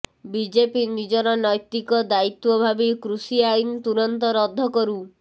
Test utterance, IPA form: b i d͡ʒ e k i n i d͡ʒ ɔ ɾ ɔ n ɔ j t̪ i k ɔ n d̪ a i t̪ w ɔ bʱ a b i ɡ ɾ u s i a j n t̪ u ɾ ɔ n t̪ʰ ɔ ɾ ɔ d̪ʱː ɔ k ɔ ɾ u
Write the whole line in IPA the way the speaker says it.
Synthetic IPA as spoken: b i d͡ʒ e p i n i d͡ʒ ɔ ɾ ɔ n ɔ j t̪ i k ɔ d̪ a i t̪ w ɔ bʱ a b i k ɾ u s i a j n t̪ u ɾ ɔ n t̪ ɔ ɾ ɔ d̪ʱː ɔ k ɔ ɾ u